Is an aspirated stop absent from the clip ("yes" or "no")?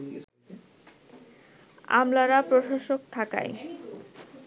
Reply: no